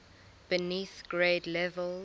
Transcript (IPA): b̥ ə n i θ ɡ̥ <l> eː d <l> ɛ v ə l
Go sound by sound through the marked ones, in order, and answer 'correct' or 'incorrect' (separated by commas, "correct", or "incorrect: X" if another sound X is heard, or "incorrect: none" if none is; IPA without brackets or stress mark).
incorrect: ɹ, correct